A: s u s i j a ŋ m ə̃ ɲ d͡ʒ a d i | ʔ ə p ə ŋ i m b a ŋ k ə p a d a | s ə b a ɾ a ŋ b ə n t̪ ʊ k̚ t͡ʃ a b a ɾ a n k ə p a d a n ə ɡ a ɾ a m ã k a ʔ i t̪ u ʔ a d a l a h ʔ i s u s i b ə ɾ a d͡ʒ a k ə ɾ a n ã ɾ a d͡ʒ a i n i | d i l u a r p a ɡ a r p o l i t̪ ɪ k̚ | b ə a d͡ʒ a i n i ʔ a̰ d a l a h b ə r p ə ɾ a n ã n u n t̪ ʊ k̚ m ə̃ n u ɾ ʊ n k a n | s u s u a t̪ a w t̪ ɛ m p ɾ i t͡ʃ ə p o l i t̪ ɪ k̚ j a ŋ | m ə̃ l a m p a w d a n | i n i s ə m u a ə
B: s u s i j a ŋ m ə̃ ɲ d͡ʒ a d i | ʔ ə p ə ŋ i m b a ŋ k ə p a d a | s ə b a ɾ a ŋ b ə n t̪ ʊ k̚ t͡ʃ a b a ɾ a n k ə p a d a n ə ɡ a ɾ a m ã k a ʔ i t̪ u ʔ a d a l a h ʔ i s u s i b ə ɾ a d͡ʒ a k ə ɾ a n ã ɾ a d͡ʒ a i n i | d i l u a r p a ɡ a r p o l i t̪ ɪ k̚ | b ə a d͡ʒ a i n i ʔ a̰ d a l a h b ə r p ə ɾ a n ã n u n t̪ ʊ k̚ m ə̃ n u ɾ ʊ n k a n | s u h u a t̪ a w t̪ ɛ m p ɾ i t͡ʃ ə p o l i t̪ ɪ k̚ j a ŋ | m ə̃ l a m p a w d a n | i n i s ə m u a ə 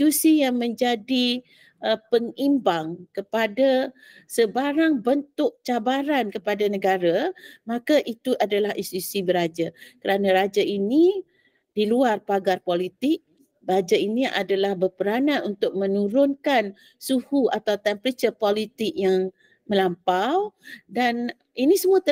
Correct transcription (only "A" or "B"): B